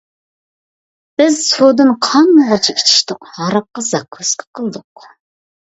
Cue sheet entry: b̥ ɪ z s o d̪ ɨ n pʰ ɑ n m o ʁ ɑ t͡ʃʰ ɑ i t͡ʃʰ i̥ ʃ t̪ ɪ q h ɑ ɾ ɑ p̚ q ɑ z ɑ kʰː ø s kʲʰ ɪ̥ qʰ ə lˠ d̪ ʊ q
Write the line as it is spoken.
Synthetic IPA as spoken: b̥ ɪ z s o d̪ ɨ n qʰ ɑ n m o ʁ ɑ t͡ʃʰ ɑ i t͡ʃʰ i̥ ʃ t̪ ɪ q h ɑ ɾ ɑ p̚ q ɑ z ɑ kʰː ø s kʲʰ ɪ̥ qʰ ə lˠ d̪ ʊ q